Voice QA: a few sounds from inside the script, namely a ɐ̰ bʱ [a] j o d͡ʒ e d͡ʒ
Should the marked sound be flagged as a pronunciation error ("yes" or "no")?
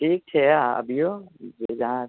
yes